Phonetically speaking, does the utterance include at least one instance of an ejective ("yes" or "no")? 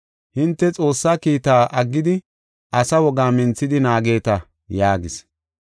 yes